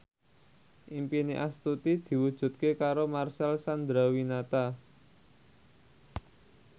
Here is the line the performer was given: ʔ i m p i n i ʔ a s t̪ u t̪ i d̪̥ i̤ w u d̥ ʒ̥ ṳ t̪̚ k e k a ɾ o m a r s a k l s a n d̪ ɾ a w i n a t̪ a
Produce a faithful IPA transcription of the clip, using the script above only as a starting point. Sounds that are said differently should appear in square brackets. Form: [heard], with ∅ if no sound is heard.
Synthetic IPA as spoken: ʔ i m p i n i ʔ a s t̪ u t̪ i d̪̥ i̤ w u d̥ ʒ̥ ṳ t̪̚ k e k a ɾ o m a r s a [∅] l s a n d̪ ɾ a w i n a t̪ a